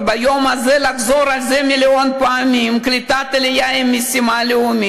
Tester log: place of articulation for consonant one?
labial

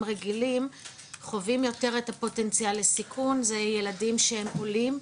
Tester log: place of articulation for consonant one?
uvular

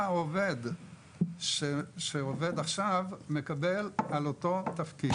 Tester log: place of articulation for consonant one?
labial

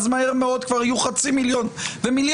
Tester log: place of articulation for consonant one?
alveolar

